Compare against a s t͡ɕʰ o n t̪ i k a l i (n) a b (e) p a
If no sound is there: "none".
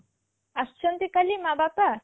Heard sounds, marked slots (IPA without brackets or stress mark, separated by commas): m, a